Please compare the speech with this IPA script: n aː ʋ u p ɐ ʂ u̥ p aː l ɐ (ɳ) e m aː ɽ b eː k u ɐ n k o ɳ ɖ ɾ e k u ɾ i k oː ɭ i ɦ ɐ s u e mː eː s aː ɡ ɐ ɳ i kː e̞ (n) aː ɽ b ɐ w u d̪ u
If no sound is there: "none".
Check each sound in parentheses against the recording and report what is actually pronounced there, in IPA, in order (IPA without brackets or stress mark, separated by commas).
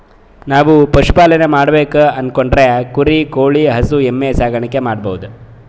n, m